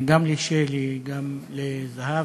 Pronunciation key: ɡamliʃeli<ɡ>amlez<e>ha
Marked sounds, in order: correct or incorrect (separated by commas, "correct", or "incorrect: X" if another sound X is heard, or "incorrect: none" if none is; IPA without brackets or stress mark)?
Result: correct, incorrect: a